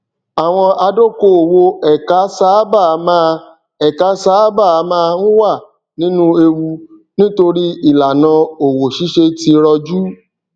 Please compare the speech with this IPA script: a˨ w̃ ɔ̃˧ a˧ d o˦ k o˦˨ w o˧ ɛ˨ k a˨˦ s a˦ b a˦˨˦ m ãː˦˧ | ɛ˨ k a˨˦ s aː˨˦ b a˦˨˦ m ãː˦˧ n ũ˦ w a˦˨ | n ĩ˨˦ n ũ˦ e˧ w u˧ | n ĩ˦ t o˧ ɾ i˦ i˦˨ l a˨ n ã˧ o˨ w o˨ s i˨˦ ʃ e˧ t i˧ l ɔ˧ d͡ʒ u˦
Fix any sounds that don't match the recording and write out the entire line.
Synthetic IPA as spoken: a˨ w̃ ɔ̃˧ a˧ d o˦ k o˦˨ w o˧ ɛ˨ k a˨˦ s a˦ b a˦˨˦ m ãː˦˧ | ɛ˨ k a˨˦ s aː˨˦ b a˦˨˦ m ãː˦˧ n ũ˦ w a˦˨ | n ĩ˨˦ n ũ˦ e˧ w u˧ | n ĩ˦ t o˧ ɾ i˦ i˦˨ l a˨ n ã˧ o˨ w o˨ ʃ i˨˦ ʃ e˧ t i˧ ɾ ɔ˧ d͡ʒ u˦